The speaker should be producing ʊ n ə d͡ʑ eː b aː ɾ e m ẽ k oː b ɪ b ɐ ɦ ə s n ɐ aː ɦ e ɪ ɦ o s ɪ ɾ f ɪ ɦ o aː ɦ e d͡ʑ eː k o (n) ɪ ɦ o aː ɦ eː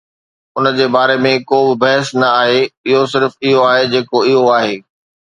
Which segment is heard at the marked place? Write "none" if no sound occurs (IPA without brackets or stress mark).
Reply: none